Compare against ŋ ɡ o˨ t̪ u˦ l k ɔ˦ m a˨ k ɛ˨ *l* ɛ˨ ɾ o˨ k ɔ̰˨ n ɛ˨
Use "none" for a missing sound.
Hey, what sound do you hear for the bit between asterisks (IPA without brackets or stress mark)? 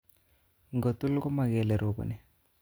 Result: l